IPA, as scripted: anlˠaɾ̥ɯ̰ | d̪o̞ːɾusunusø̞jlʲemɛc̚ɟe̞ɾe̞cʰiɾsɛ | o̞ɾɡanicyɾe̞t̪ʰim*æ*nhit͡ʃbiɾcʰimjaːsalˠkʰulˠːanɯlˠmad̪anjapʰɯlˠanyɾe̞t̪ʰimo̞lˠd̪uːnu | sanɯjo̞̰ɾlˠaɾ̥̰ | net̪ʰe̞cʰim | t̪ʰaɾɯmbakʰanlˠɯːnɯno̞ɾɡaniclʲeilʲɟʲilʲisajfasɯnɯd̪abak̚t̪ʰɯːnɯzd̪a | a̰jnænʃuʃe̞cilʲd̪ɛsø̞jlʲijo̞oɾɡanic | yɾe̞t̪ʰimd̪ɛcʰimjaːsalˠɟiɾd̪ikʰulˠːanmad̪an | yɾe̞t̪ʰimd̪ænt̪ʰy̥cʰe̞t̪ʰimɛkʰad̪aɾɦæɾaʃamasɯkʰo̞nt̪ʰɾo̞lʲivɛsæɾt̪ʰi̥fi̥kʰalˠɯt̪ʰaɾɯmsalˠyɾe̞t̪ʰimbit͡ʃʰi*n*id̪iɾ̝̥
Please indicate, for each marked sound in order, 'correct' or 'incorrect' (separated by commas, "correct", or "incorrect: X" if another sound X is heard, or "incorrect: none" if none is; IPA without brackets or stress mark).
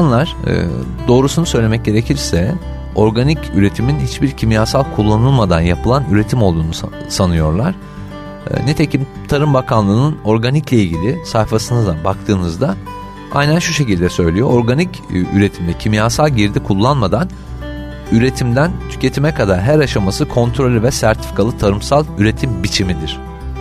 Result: incorrect: i, incorrect: m